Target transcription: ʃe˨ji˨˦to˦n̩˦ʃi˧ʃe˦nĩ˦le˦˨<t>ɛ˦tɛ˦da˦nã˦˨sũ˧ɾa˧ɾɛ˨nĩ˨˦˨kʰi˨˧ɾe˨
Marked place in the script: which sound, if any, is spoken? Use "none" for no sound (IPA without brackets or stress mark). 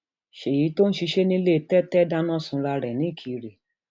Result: t